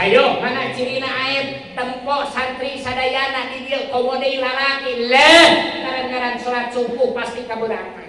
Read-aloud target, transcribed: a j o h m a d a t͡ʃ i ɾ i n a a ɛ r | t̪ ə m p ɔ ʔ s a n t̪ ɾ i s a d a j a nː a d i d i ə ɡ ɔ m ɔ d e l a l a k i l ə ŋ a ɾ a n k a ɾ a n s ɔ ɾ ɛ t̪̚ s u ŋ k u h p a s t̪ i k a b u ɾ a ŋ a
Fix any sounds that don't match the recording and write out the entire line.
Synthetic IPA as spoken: a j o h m a n a t͡ʃ i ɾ i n a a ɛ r | t̪ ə m p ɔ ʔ s a n t̪ ɾ i s a d a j a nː a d i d i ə k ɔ m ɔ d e l a l a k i l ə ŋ a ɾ a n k a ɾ a n s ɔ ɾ a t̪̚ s u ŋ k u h p a s t̪ i k a b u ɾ a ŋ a